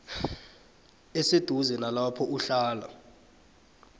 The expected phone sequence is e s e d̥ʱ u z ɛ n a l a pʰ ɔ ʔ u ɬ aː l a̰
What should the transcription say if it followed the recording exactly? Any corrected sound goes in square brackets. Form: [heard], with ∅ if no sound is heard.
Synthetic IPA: e s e d̥ʱ u z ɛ n a l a pʰ ɔ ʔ u ɬ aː l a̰